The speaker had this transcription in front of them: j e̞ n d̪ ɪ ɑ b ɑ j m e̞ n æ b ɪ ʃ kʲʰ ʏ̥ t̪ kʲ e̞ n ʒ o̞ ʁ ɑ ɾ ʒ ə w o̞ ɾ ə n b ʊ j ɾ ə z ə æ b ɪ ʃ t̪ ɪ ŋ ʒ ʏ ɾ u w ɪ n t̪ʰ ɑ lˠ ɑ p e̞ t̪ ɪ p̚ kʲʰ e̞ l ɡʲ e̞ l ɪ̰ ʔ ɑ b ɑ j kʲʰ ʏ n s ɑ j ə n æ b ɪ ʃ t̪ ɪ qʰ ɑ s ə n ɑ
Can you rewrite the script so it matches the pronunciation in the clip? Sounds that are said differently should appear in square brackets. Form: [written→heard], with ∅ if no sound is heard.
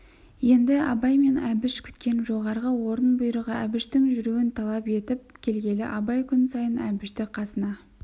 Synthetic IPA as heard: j e̞ n d̪ ɪ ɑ b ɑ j m e̞ n æ b ɪ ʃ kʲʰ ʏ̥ t̪ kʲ e̞ n ʒ o̞ ʁ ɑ ɾ [ʒ→ʁ] ə w o̞ ɾ ə n b ʊ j ɾ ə [z→ʁ] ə æ b ɪ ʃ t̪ ɪ ŋ ʒ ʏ ɾ u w ɪ n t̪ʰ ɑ lˠ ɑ p e̞ t̪ ɪ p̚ kʲʰ e̞ l ɡʲ e̞ l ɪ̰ ʔ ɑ b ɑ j kʲʰ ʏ n s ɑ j ə n æ b ɪ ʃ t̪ ɪ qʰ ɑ s ə n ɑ